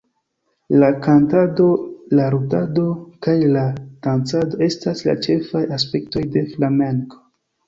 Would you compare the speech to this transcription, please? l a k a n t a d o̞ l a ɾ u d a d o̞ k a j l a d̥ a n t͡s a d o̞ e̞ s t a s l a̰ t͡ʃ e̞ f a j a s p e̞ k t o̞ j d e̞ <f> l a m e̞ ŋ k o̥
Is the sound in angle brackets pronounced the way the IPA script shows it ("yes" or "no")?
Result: yes